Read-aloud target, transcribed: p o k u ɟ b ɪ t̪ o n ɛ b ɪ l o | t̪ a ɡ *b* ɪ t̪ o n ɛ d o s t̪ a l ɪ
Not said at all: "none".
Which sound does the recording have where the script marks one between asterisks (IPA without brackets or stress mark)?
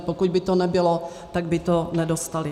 b